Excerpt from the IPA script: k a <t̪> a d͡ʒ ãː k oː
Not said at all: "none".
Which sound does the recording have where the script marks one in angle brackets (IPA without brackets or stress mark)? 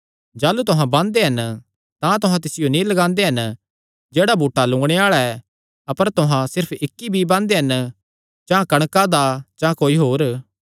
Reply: d̪